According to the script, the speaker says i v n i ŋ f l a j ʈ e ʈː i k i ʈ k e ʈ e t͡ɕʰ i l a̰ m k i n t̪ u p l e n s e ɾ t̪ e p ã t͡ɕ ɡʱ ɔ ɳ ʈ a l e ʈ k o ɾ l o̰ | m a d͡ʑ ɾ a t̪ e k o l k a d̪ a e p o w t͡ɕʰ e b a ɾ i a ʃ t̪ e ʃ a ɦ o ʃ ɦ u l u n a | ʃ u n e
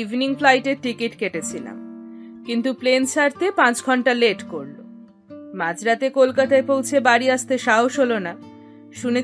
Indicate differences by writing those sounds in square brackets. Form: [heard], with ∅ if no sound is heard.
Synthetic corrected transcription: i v n i ŋ f l a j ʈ e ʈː i k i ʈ k e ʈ e t͡ɕʰ i l a̰ m k i n t̪ u p l e n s [a] ɾ t̪ e p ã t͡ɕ ɡʱ ɔ ɳ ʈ a l e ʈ k o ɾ l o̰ | m a d͡ʑ ɾ a t̪ e k o l k a [t̪] a e p o w t͡ɕʰ e b a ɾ i a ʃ t̪ e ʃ a ɦ o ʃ ɦ [o] l [o] n a | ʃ u n e